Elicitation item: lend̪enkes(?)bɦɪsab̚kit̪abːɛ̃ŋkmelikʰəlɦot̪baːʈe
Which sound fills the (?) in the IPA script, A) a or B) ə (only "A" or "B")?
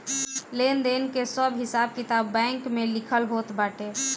B